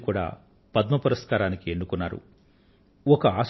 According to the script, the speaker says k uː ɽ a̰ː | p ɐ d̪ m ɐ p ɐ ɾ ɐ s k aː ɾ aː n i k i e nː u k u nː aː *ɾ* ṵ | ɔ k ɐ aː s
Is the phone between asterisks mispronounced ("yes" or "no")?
no